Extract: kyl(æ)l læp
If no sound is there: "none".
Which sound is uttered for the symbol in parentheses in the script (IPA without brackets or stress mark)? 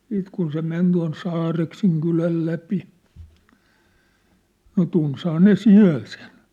æ